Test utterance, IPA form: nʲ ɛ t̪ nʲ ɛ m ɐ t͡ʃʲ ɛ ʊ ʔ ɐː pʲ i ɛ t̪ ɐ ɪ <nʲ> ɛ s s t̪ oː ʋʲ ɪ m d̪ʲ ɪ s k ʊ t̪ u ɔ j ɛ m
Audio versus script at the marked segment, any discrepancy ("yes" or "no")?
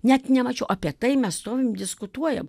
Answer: yes